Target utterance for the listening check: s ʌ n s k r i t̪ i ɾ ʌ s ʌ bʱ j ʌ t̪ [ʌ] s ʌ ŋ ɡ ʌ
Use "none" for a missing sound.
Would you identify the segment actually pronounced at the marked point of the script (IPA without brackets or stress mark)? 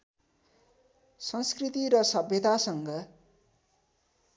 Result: a